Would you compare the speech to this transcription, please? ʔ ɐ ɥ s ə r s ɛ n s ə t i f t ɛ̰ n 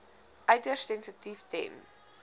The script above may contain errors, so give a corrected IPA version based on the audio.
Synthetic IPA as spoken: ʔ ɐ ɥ t ə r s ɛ n s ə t i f t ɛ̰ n